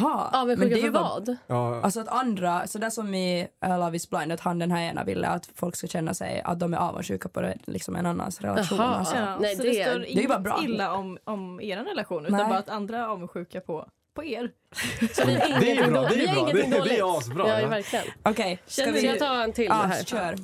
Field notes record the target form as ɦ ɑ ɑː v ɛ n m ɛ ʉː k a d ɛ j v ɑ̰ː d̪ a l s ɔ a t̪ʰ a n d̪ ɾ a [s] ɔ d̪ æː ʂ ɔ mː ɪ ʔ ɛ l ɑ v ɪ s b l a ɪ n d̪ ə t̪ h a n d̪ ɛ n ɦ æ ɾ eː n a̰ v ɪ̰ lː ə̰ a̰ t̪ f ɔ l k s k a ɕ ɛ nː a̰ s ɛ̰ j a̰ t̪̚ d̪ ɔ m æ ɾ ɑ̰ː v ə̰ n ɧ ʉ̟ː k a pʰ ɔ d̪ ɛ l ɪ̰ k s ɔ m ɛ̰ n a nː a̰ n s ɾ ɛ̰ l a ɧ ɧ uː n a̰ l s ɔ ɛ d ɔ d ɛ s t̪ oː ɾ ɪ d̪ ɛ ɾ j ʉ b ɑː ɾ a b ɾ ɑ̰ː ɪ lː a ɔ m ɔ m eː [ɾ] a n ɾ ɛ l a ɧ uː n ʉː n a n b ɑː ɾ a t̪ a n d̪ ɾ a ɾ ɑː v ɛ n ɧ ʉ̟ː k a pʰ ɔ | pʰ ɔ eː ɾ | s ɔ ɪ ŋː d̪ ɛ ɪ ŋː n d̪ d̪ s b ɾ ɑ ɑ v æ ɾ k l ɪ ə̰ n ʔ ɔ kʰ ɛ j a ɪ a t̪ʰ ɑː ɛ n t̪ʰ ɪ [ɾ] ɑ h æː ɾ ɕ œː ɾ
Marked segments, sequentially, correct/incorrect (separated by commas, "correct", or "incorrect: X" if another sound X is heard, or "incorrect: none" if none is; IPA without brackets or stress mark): correct, correct, incorrect: l